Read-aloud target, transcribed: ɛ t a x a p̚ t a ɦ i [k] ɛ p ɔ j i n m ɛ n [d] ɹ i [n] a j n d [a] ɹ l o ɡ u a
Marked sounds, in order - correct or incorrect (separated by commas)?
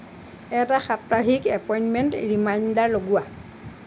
correct, incorrect, incorrect, correct